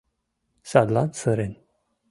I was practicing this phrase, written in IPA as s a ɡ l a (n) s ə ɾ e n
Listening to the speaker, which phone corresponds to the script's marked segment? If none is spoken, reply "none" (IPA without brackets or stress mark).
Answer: n